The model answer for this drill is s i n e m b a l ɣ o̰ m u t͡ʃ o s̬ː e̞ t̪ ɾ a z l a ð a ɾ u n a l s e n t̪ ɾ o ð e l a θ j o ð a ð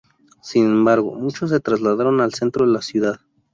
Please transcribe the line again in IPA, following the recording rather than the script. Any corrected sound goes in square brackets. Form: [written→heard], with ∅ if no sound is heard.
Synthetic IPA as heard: s i n e m b a [l→ɾ] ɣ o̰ m u t͡ʃ o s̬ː e̞ t̪ ɾ a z l a ð a ɾ [u→o] n a l s e n t̪ ɾ o ð e l a [θ→s] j [o→u] ð a ð